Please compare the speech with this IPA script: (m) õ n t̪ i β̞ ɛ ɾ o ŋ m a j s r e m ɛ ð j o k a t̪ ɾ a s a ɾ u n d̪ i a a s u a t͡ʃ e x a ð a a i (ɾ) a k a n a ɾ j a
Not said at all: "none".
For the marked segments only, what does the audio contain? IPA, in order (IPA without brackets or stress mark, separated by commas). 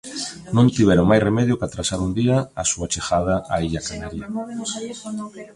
n, ʎ